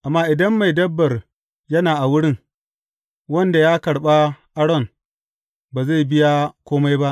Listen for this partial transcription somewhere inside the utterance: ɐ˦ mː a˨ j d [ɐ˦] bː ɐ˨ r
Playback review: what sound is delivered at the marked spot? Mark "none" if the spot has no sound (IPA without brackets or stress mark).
ɐ˦